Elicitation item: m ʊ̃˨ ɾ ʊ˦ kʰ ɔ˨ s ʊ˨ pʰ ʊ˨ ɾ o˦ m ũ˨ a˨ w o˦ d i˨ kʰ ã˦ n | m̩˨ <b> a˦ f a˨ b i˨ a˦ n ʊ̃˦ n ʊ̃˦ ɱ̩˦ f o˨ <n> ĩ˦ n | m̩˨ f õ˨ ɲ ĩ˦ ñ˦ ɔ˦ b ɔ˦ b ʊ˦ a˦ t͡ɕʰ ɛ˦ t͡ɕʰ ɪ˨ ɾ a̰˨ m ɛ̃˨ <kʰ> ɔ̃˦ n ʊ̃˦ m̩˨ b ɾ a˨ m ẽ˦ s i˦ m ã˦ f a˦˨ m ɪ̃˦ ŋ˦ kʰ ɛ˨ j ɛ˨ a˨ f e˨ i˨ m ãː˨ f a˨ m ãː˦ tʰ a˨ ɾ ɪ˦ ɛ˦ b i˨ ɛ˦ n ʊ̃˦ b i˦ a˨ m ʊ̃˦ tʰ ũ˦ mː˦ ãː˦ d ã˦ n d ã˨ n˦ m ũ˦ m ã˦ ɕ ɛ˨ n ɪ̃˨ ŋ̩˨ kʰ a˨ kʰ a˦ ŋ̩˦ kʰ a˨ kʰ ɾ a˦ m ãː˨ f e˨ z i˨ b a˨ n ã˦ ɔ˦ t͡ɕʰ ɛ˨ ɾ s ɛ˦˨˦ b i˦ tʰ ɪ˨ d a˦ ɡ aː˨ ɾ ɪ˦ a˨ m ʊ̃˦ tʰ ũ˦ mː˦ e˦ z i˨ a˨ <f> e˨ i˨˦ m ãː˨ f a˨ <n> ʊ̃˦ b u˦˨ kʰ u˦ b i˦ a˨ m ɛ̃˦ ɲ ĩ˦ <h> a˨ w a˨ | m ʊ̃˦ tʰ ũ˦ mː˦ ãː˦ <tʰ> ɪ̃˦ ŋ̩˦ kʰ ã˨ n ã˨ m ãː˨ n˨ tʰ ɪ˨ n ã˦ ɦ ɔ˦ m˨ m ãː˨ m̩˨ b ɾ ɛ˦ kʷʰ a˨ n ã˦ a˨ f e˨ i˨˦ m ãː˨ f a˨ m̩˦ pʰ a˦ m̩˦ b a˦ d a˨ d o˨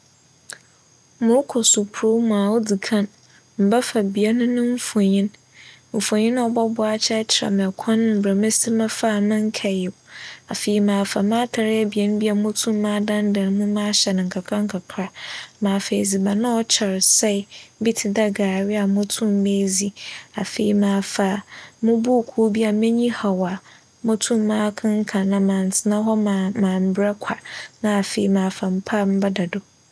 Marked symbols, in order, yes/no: yes, no, yes, yes, no, yes, no

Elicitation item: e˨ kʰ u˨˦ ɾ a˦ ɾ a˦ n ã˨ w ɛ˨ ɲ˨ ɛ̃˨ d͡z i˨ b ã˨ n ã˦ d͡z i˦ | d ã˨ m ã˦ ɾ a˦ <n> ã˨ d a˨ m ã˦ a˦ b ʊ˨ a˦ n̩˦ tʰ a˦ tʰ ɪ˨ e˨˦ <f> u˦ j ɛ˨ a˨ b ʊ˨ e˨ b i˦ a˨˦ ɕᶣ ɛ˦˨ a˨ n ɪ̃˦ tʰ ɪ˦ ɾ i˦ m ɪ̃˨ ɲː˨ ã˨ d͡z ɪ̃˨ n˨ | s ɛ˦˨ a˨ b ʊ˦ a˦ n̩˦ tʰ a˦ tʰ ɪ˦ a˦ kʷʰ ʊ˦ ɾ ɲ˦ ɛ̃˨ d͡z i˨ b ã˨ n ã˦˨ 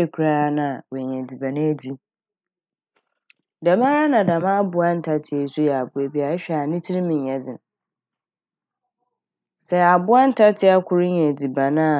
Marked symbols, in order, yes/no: yes, no

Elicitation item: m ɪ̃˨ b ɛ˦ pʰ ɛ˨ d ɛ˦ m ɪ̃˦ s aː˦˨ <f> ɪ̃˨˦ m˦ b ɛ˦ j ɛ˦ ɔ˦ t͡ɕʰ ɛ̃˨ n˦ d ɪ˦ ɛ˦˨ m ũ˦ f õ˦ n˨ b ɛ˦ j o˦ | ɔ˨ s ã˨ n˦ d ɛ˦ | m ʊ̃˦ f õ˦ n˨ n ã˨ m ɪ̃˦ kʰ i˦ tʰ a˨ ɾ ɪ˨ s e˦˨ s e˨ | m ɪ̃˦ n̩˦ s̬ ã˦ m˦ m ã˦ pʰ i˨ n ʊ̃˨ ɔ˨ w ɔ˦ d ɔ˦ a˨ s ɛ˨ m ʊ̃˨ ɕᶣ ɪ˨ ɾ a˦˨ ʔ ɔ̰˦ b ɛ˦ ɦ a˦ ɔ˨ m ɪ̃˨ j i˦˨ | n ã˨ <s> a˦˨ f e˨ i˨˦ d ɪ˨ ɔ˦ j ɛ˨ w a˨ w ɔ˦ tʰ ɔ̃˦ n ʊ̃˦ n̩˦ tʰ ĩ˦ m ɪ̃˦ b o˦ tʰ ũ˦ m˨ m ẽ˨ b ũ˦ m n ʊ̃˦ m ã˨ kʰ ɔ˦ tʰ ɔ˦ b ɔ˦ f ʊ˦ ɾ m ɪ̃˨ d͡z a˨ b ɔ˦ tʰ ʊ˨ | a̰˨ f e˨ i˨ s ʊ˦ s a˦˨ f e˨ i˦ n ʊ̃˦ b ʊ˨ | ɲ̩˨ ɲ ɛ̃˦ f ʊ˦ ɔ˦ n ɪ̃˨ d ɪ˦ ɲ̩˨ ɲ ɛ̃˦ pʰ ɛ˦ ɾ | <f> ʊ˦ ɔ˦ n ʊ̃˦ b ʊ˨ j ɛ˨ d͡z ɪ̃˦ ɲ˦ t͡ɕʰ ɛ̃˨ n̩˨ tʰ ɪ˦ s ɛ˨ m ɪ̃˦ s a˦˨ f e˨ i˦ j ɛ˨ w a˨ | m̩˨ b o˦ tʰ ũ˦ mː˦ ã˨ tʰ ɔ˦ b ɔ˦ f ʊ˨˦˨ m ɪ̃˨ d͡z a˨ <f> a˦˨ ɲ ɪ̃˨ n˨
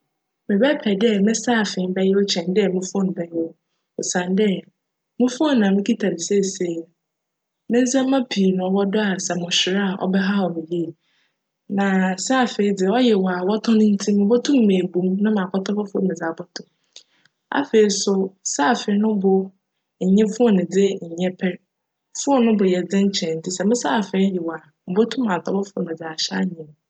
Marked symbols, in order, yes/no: yes, yes, yes, no

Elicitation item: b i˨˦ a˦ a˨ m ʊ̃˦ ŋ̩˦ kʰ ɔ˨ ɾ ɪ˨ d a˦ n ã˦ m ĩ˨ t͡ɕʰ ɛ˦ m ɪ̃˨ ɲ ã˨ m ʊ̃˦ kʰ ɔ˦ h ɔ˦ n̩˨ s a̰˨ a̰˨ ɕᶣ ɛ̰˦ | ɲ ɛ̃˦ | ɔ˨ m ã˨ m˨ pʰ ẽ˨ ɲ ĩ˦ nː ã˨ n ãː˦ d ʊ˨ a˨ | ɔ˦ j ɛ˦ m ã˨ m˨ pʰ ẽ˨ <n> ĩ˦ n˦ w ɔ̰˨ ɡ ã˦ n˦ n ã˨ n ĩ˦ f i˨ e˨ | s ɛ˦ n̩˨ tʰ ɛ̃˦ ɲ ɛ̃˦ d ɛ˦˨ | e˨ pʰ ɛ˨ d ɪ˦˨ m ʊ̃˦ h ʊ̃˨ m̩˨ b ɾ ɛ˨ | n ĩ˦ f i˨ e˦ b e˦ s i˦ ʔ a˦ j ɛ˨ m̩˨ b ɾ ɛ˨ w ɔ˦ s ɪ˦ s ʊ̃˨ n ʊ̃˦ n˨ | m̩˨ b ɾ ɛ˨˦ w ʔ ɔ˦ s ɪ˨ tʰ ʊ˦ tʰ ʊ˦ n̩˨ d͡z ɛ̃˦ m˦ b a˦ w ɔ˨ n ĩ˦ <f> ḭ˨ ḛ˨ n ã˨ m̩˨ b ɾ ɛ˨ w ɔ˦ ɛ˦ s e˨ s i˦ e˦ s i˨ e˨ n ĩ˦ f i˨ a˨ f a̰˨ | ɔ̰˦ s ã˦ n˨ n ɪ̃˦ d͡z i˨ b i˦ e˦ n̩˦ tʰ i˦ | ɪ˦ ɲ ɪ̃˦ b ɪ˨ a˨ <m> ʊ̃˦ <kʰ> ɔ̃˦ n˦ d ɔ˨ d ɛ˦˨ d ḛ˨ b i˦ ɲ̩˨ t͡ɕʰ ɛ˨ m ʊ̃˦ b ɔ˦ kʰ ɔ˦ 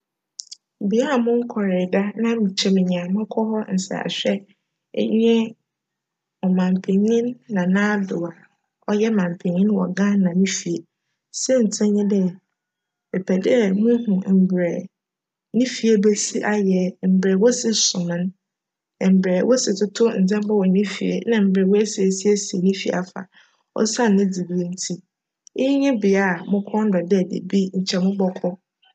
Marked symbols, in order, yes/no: no, yes, yes, yes

